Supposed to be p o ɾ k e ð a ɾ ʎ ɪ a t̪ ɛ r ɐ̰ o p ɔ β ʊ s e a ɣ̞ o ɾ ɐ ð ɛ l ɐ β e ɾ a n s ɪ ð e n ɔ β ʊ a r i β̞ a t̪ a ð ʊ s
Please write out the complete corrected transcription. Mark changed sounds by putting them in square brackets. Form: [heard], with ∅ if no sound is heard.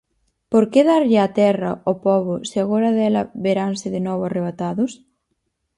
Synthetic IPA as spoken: p o ɾ k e ð a ɾ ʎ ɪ a t̪ ɛ r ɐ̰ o p ɔ β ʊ s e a ɣ̞ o ɾ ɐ ð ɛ l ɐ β e ɾ a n s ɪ ð e n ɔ β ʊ a r [e] β̞ a t̪ a ð ʊ s